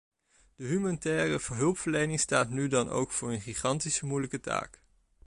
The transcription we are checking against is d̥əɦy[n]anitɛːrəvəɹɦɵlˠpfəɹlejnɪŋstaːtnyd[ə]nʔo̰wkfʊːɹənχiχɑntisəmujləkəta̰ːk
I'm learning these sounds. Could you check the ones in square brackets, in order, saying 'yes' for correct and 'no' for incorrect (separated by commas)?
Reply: no, no